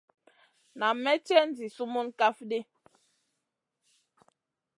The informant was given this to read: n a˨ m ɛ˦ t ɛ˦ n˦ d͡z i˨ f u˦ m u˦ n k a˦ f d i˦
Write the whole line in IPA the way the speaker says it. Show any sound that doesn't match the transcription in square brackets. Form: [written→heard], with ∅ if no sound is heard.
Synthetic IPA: n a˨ m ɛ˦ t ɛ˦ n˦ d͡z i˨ [f→s] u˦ m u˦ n k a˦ f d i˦